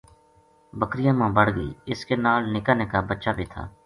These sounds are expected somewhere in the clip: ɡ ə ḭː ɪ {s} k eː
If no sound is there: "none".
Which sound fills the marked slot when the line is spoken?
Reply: s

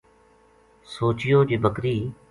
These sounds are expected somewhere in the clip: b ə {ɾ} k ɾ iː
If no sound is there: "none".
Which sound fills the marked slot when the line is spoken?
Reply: none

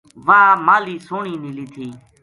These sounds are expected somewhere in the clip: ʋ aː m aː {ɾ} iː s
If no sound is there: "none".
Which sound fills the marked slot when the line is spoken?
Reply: l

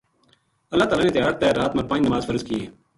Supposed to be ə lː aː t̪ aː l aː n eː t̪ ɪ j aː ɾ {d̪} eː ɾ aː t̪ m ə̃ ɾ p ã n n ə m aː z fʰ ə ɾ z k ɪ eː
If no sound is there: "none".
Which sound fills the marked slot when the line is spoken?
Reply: t̪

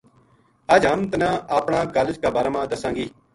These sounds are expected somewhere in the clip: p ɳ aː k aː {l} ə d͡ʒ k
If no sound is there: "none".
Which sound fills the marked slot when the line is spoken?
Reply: l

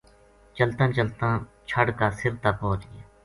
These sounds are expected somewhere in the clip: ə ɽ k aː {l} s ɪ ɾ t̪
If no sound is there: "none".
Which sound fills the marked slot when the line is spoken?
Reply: none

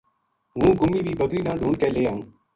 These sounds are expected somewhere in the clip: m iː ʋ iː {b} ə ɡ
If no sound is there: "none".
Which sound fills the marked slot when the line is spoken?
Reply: b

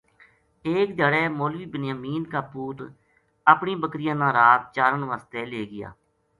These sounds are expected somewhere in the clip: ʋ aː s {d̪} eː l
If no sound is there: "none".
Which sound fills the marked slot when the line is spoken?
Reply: t̪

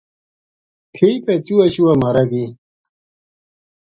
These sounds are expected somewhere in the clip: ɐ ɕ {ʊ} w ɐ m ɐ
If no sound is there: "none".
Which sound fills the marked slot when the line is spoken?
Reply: u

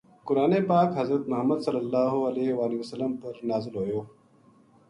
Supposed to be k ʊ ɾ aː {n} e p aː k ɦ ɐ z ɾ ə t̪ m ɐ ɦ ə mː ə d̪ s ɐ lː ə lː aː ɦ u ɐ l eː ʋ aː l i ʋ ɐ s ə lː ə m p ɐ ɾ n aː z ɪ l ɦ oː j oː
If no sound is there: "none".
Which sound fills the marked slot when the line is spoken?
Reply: n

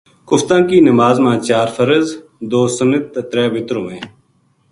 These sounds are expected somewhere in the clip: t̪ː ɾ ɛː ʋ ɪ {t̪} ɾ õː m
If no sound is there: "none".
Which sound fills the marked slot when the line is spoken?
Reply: t̪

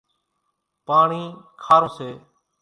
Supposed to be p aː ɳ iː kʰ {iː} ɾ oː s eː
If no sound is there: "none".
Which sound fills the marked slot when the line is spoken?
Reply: aː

